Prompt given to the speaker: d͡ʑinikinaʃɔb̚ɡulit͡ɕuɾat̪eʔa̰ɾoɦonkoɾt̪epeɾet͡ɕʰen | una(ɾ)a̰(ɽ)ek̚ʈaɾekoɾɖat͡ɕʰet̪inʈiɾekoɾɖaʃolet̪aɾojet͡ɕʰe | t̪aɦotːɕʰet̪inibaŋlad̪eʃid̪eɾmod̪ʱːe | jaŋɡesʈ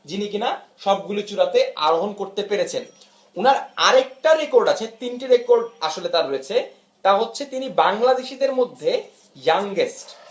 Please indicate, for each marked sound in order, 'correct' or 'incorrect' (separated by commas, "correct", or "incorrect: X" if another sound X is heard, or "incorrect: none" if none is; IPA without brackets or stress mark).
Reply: correct, incorrect: ɾ